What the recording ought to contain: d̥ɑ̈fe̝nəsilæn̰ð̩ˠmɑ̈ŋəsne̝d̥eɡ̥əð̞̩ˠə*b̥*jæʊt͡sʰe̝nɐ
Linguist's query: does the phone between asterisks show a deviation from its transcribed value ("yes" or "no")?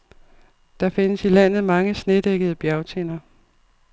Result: no